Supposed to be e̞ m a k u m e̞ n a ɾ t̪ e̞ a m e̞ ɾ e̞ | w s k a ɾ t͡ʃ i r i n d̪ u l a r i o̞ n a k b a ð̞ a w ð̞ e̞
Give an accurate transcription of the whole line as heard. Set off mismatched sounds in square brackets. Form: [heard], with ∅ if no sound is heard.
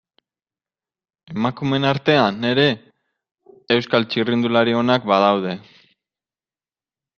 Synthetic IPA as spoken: e̞ m a k u m e̞ n a ɾ t̪ e̞ a [n] e̞ ɾ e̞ | w s k a [l] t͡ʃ i r i n d̪ u l a [ɾ] i o̞ n a k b a ð̞ a w ð̞ e̞